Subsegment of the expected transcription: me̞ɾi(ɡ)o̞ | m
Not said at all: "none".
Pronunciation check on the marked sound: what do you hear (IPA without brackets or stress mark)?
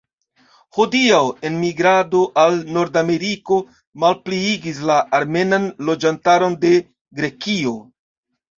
k